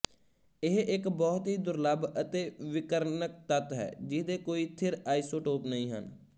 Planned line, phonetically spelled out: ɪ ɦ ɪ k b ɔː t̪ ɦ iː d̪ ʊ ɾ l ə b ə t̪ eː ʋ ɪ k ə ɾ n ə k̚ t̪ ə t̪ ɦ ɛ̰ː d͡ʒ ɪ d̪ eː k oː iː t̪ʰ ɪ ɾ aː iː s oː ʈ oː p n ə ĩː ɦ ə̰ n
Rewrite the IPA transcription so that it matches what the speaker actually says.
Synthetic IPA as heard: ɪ ɦ ɪ k b ɔː t̪ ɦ iː d̪ ʊ ɾ l ə b ə t̪ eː ʋ ɪ k ə ɾ n ə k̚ t̪ ə t̪ ɦ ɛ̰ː d͡ʒ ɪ d̪ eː k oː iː t̪ʰ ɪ ɾ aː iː s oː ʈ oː p n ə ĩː ɦ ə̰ n

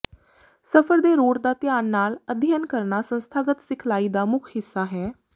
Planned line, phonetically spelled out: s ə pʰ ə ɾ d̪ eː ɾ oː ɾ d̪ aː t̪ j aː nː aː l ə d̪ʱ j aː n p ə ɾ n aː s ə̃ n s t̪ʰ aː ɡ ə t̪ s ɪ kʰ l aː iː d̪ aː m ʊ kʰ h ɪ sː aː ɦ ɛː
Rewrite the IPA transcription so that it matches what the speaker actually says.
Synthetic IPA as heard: s ə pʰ ə ɾ d̪ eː ɾ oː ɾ d̪ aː t̪ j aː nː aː l ə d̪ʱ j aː n k ə ɾ n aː s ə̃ n s t̪ʰ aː ɡ ə t̪ s ɪ kʰ l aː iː d̪ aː m ʊ kʰ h ɪ sː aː ɦ ɛː

